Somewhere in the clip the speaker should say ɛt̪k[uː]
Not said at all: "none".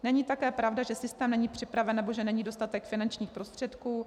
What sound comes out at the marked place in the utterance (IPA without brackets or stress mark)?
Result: uː